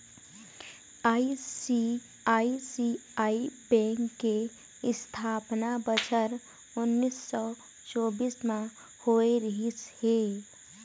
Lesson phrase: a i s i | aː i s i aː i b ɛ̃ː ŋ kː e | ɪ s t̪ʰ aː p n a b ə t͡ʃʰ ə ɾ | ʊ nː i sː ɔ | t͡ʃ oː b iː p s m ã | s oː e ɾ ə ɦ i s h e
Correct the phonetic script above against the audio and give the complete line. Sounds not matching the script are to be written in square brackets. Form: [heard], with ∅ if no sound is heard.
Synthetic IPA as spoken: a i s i | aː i s i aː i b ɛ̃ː ŋ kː e | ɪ s t̪ʰ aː p n a b ə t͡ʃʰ ə ɾ | ʊ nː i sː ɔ | t͡ʃ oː b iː [∅] s m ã | [h] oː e ɾ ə ɦ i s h e